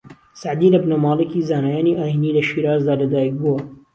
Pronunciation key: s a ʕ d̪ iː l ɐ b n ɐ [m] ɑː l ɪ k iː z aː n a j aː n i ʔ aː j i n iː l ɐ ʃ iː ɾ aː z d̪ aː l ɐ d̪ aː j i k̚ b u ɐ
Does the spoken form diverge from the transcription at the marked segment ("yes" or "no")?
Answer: no